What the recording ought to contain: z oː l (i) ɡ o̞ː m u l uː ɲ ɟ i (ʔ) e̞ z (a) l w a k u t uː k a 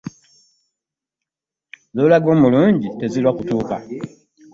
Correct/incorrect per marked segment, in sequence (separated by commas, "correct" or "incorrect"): incorrect, incorrect, incorrect